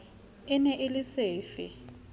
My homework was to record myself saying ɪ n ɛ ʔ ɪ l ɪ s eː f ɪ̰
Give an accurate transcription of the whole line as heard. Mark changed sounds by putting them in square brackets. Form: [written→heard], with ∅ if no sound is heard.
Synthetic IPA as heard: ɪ n ɛ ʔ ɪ l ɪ s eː f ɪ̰